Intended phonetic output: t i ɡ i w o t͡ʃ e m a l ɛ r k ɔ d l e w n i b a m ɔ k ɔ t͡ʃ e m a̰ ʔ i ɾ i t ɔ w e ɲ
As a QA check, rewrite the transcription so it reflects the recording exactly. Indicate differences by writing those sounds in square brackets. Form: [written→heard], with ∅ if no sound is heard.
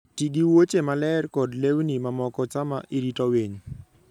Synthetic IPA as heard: t i ɡ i w o t͡ʃ e m a l ɛ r k ɔ d l e w n i [b→m] a m ɔ k ɔ t͡ʃ [e→a] m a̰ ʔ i ɾ i t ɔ w e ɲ